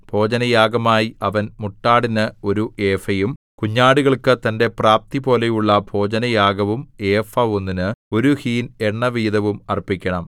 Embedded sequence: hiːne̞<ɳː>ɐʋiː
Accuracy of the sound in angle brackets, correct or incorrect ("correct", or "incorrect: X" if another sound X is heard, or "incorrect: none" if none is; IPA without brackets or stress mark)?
correct